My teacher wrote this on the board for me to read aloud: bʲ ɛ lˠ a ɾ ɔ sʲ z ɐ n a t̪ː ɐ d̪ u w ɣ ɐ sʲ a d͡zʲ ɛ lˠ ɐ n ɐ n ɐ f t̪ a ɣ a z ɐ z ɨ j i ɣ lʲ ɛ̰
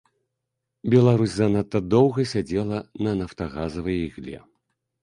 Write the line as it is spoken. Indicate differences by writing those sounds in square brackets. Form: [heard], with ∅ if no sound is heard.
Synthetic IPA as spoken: bʲ ɛ lˠ a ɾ [u] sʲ z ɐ n a t̪ː ɐ d̪ [ɔ] w ɣ ɐ sʲ a d͡zʲ ɛ lˠ ɐ n ɐ n ɐ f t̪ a ɣ a z ɐ [v] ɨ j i ɣ lʲ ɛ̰